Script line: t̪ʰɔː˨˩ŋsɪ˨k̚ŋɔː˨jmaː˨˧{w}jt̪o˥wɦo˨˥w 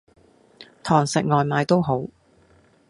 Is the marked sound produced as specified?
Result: no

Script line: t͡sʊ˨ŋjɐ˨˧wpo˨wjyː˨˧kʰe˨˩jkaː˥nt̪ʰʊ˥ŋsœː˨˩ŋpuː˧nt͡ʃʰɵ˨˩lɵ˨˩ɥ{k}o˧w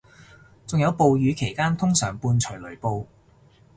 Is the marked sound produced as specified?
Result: no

